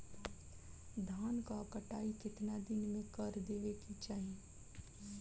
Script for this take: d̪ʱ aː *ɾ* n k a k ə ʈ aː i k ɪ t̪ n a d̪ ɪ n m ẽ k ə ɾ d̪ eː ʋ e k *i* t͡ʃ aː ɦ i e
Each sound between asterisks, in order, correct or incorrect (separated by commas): incorrect, correct